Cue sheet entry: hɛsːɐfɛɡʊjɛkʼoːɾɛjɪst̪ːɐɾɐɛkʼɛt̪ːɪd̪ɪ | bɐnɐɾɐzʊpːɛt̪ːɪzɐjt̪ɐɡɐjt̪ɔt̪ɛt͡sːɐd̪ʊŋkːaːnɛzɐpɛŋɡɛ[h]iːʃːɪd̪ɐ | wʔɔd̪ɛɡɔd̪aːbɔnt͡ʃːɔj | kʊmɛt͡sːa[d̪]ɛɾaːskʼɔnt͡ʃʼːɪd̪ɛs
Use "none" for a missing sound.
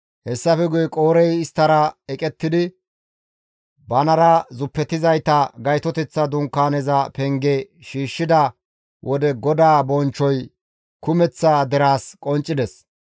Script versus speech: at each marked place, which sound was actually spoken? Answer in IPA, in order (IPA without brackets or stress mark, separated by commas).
ʃ, d̪